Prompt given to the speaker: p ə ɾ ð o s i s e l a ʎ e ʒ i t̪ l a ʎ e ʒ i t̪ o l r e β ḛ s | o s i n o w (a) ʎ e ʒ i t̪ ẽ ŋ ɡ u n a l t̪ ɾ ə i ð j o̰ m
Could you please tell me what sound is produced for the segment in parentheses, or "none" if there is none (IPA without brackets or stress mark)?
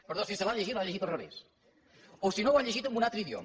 a